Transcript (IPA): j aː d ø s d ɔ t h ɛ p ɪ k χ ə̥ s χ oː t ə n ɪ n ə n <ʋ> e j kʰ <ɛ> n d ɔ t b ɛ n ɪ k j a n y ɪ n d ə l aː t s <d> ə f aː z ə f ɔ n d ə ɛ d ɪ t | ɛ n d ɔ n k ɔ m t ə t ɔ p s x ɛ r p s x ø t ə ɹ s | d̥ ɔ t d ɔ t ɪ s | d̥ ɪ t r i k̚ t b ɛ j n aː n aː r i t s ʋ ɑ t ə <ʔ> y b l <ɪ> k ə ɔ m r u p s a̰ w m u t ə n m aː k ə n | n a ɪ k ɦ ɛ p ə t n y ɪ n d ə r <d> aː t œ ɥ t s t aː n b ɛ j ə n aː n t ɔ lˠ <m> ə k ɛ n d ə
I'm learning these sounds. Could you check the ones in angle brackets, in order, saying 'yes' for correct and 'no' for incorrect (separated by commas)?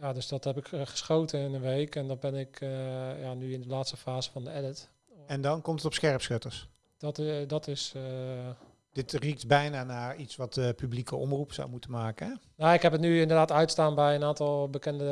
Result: yes, yes, no, no, no, yes, no